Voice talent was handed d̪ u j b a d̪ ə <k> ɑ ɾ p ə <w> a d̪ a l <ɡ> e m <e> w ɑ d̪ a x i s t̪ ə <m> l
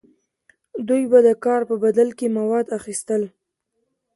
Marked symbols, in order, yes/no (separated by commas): yes, no, no, no, no